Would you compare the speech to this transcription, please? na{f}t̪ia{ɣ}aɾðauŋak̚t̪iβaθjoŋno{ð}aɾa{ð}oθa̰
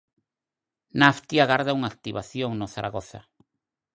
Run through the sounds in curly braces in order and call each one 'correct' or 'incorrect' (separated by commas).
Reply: correct, correct, incorrect, incorrect